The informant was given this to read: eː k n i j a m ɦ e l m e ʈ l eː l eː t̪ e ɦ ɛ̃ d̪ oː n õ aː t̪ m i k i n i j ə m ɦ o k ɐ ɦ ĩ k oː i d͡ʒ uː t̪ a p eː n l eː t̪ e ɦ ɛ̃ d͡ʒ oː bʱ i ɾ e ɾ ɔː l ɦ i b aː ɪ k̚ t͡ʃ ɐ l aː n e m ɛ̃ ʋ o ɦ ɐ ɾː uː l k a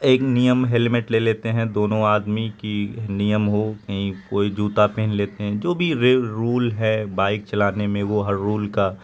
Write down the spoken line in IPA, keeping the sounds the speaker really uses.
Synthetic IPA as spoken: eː k n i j ə m ɦ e l m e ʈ l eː l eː t̪ e ɦ ɛ̃ d̪ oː n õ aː d̪ m i k i n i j ə m ɦ o k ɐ ɦ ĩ k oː i d͡ʒ uː t̪ a p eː n l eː t̪ e ɦ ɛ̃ d͡ʒ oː bʱ i ɾ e ɾ uː l ɦ ɛ b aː ɪ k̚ t͡ʃ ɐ l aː n e m ẽ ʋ o ɦ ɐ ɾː uː l k a

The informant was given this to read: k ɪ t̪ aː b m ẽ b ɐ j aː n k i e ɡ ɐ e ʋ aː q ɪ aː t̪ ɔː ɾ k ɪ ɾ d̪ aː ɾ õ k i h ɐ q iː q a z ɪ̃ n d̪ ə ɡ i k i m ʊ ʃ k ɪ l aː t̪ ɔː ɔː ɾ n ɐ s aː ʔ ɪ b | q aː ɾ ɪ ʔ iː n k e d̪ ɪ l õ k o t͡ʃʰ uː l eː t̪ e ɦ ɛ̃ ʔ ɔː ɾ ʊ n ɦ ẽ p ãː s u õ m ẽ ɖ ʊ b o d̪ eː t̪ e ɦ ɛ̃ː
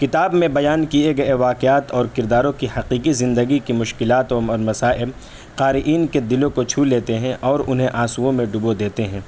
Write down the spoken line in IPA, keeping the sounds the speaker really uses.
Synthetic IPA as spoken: k ɪ t̪ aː b m ẽ b ɐ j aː n k i e ɡ ɐ e ʋ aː q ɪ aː t̪ ɔː ɾ k ɪ ɾ d̪ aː ɾ õ k i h ɐ q iː q i z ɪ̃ n d̪ ə ɡ i k i m ʊ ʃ k ɪ l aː t̪ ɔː ɔː ɾ m ɐ s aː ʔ ɪ b | q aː ɾ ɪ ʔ iː n k e d̪ ɪ l õ k o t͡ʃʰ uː l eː t̪ e ɦ ɛ̃ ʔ ɔː ɾ ʊ n ɦ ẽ ʔ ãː s u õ m ẽ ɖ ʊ b o d̪ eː t̪ e ɦ ɛ̃ː

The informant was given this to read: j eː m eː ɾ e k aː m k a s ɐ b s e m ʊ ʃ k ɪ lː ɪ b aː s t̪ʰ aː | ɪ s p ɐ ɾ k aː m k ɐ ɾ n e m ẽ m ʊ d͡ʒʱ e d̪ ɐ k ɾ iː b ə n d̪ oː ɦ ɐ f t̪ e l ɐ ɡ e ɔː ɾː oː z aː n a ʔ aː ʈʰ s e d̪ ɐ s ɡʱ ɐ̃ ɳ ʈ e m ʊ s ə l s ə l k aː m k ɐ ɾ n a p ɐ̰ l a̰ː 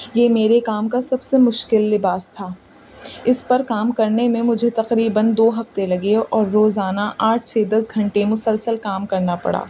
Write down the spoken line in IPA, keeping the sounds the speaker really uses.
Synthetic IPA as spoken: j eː m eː ɾ e k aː m k a s ɐ b s e m ʊ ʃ k ɪ lː ɪ b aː s t̪ʰ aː | ɪ s p ɐ ɾ k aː m k ɐ ɾ n e m ẽ m ʊ d͡ʒʱ e t̪ ɐ q ɾ iː b ə n d̪ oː ɦ ɐ f t̪ e l ɐ ɡ e ɔː ɾː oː z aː n a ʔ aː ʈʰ s e d̪ ɐ s ɡʱ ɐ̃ ɳ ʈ e m ʊ s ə l s ə l k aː m k ɐ ɾ n a p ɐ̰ ɽ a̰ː

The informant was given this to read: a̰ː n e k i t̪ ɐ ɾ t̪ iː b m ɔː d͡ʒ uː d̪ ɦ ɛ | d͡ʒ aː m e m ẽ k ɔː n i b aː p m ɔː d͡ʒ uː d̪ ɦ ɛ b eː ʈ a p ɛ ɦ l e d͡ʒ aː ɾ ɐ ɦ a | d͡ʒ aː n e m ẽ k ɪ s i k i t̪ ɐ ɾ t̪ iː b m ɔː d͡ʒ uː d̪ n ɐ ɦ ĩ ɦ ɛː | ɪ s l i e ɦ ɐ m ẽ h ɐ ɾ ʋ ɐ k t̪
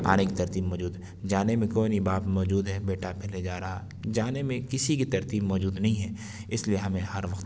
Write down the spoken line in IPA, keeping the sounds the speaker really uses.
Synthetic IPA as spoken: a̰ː n e k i t̪ ɐ ɾ t̪ iː b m ɔː d͡ʒ uː d̪ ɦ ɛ | d͡ʒ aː n e m ẽ k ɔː n i b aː p m ɔː d͡ʒ uː d̪ ɦ ɛ b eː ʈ a p ɛ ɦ l e d͡ʒ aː ɾ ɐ ɦ a | d͡ʒ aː n e m ẽ k ɪ s i k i t̪ ɐ ɾ t̪ iː b m ɔː d͡ʒ uː d̪ n ɐ ɦ ĩ ɦ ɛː | ɪ s l i e ɦ ɐ m ẽ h ɐ ɾ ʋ ɐ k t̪

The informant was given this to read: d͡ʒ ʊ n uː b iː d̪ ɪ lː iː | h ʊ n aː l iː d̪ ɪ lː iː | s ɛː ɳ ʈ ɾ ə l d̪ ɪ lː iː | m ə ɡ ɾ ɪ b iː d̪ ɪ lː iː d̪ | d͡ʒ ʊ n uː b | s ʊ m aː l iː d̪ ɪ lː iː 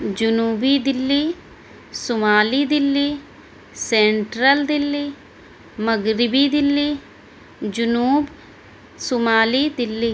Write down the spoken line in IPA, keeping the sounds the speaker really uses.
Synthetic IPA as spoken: d͡ʒ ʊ n uː b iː d̪ ɪ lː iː | s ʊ m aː l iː d̪ ɪ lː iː | s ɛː ɳ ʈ ɾ ə l d̪ ɪ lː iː | m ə ɡ ɾ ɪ b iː d̪ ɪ lː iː | d͡ʒ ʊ n uː b | s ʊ m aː l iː d̪ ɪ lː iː

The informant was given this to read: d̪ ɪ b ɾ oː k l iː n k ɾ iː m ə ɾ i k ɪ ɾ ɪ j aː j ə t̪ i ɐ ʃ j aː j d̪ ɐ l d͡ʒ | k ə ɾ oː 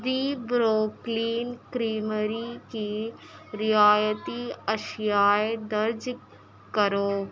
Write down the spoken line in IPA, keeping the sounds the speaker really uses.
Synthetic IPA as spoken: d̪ i b ɾ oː k l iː n k ɾ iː m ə ɾ i k i ɾ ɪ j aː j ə t̪ i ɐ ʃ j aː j d̪ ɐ ɾ d͡ʒ | k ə ɾ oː

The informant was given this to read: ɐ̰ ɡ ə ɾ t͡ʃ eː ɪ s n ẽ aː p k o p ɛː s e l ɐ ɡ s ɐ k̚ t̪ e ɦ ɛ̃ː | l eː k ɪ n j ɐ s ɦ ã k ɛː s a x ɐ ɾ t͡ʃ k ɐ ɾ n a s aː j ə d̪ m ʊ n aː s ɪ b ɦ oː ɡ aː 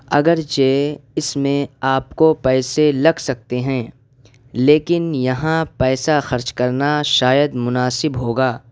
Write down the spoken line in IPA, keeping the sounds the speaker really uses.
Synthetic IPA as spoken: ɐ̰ ɡ ə ɾ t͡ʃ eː ɪ s m ẽ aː p k o p ɛː s e l ɐ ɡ s ɐ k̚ t̪ e ɦ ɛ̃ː | l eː k ɪ n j ɐ ɦ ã p ɛː s a x ɐ ɾ t͡ʃ k ɐ ɾ n a ʃ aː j ə d̪ m ʊ n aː s ɪ b ɦ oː ɡ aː

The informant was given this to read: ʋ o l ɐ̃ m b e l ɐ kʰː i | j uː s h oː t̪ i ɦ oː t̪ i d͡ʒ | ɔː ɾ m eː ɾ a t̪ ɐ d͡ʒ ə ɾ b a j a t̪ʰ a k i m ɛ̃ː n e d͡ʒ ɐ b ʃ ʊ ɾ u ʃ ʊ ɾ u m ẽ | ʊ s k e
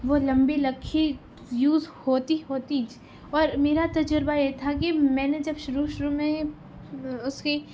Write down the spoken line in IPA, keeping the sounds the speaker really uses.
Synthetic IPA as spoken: ʋ o l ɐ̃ m b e l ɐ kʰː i | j uː z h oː t̪ i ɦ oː t̪ i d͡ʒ | ɔː ɾ m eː ɾ a t̪ ɐ d͡ʒ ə ɾ b a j e t̪ʰ a k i m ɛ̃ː n e d͡ʒ ɐ b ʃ ʊ ɾ u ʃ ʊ ɾ u m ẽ | ʊ s k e

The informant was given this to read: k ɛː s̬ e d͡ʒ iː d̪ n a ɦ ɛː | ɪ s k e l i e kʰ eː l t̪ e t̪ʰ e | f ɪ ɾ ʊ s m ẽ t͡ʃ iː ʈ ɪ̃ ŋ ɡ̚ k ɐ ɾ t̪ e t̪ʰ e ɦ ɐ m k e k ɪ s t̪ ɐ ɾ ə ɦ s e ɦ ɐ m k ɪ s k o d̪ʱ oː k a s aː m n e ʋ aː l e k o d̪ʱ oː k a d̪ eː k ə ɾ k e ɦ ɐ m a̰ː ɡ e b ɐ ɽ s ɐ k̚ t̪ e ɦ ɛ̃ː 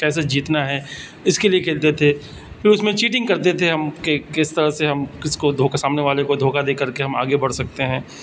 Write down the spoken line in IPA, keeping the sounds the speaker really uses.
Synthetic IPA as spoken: k ɛː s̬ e d͡ʒ iː t̪ n a ɦ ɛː | ɪ s k e l i e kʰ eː l t̪ e t̪ʰ e | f ɪ ɾ ʊ s m ẽ t͡ʃ iː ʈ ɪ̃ ŋ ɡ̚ k ɐ ɾ t̪ e t̪ʰ e ɦ ɐ m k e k ɪ s t̪ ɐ ɾ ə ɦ s e ɦ ɐ m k ɪ s k o d̪ʱ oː k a s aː m n e ʋ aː l e k o d̪ʱ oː k a d̪ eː k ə ɾ k e ɦ ɐ m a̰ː ɡ e b ɐ ɽ s ɐ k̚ t̪ e ɦ ɛ̃ː

